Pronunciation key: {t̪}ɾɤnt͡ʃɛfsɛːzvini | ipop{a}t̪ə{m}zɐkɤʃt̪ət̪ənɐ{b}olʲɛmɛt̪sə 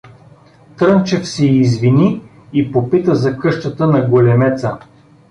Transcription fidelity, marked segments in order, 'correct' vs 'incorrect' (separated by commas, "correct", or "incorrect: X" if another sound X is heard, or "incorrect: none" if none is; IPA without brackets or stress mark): correct, incorrect: i, incorrect: none, incorrect: ɡ